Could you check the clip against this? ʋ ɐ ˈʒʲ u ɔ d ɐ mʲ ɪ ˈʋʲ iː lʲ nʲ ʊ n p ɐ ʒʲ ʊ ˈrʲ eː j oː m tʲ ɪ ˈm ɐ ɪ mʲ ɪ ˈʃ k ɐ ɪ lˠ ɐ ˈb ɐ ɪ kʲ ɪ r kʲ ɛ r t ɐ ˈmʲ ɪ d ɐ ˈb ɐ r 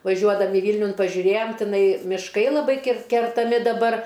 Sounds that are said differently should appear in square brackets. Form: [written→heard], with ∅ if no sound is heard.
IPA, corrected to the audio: ʋ ɐ ˈʒʲ u ɔ d ɐ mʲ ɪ ˈʋʲ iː lʲ nʲ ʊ n p ɐ ʒʲ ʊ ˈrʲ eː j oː m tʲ ɪ [ˈm→ˈn] ɐ ɪ mʲ ɪ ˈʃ k ɐ ɪ lˠ ɐ ˈb ɐ ɪ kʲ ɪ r kʲ ɛ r t ɐ ˈmʲ ɪ d ɐ ˈb ɐ r